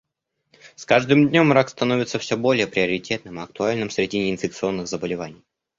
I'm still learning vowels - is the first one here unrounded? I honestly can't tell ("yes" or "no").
yes